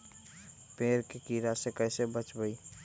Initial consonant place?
labial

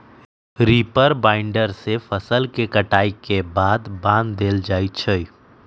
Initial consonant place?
alveolar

